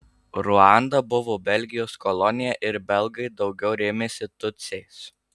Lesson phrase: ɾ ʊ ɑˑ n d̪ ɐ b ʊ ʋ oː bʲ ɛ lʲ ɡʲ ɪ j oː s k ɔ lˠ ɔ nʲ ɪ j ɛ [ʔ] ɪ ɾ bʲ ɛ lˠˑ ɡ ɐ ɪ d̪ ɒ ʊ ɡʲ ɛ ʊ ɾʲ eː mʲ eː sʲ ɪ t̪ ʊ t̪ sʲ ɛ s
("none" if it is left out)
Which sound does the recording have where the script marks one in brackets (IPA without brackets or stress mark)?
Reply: ʔ